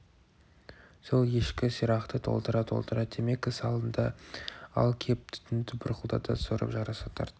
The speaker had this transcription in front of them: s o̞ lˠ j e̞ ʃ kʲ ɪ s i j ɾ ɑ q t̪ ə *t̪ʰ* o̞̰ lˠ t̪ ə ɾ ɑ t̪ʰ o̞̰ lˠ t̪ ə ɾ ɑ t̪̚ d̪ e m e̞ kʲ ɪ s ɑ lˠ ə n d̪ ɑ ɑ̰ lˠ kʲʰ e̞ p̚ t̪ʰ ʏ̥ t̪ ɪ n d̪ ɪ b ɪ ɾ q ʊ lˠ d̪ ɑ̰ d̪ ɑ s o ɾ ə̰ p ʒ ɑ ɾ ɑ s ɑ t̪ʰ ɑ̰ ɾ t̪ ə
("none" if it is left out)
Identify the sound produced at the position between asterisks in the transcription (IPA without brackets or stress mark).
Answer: t̪ʰ